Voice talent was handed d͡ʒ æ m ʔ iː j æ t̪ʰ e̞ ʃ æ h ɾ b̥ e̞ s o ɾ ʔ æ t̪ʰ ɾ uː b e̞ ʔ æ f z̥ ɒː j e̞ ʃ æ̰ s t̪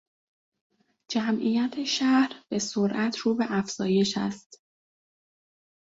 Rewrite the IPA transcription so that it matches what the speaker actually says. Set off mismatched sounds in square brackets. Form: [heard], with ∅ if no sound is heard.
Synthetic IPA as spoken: d͡ʒ æ m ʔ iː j æ t̪ʰ e̞ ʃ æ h ɾ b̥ e̞ s o ɾ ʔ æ t̪ʰ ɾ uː b e̞ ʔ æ f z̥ ɒː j e̞ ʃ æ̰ s t̪